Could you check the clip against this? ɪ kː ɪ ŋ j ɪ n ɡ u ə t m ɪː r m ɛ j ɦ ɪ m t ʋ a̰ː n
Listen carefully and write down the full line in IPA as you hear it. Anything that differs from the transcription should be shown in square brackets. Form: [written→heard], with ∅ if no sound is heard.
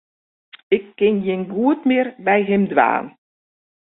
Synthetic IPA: ɪ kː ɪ [ŋ→n] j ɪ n ɡ u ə t m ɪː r [m→b] ɛ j ɦ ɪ m [t→d] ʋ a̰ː n